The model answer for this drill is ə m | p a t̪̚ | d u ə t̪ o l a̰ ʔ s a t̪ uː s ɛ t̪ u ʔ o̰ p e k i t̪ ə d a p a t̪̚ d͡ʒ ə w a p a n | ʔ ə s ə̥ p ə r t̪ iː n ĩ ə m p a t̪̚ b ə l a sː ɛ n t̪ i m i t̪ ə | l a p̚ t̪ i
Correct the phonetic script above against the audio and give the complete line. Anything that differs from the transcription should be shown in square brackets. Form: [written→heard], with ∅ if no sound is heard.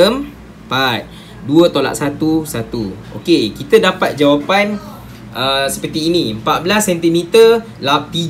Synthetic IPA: ə m | p a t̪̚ | d u ə t̪ o l a̰ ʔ s a t̪ [uː→u] s [ɛ→a] t̪ u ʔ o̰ [p→k] e k i t̪ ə d a p a t̪̚ d͡ʒ [ə→a] w a p a n | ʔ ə s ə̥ p ə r t̪ iː n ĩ ə m p a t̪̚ b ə l a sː ɛ n t̪ i m i t̪ ə | l a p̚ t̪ i